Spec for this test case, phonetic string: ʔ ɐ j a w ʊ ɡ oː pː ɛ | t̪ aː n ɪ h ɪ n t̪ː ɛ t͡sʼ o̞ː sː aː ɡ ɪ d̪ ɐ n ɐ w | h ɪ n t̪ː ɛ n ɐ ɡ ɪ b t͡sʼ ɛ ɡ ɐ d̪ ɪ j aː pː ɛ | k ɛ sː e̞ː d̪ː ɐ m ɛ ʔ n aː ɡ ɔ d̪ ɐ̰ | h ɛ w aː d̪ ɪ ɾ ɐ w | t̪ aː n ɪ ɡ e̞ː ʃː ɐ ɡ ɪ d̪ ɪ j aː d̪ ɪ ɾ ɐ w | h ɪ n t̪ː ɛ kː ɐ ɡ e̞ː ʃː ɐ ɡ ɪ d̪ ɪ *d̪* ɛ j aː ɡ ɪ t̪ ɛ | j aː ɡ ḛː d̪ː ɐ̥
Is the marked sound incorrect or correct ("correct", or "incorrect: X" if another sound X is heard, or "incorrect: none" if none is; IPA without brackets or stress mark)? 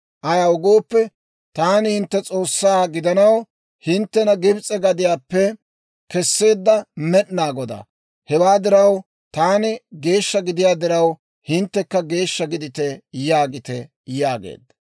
incorrect: t̪